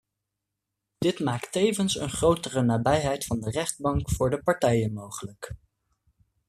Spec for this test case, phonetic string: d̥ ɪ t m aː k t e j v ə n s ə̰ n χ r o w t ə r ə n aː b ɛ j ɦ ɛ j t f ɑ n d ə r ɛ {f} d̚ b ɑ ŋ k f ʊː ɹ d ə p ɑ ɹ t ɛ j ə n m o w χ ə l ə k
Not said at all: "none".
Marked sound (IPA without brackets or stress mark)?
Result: χ